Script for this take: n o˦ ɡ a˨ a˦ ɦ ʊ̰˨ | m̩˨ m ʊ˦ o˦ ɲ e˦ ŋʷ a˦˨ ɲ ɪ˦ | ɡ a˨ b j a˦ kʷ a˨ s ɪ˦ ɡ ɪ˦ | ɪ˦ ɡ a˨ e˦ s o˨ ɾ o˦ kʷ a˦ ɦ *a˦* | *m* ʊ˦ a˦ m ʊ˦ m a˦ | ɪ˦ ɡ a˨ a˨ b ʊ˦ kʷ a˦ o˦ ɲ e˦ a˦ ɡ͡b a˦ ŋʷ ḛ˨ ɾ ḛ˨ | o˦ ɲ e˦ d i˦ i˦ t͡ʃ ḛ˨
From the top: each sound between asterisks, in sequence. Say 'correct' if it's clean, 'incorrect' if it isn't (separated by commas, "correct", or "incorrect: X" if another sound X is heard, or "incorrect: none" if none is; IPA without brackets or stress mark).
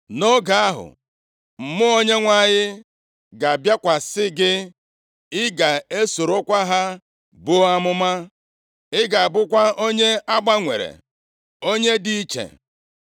correct, incorrect: b